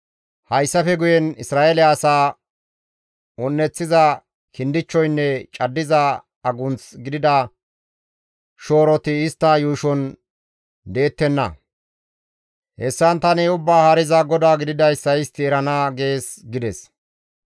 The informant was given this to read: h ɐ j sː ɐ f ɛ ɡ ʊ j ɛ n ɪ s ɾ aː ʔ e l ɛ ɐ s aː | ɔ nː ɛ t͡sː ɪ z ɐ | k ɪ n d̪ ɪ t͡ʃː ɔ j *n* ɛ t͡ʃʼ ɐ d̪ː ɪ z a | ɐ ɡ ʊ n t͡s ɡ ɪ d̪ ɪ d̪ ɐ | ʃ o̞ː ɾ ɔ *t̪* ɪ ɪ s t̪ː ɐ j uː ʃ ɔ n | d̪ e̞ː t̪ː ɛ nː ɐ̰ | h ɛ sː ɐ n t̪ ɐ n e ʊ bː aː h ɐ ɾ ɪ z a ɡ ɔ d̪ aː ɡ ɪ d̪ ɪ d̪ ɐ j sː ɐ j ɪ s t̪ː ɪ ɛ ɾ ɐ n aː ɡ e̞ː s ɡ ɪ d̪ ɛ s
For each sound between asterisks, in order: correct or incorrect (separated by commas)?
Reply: incorrect, correct